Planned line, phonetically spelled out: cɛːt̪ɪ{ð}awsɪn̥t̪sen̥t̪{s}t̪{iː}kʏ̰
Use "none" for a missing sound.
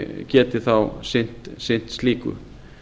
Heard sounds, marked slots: θ, s, iː

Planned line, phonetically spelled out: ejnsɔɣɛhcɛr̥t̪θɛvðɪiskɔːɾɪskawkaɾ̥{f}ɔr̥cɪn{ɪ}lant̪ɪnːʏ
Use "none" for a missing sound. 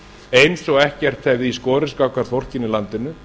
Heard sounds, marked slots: θ, ɪ

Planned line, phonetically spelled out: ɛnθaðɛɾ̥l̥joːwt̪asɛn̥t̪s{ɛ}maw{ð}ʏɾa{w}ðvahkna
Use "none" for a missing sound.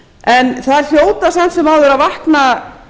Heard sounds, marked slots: ɛ, ð, none

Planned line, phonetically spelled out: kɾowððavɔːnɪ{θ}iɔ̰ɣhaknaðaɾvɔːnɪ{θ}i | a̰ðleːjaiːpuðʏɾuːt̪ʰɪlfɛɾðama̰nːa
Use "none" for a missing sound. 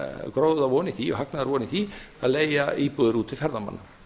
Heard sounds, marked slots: θ, θ

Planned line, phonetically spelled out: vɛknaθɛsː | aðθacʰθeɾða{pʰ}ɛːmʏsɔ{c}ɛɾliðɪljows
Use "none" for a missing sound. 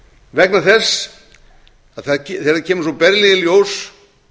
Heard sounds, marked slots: cʰ, p

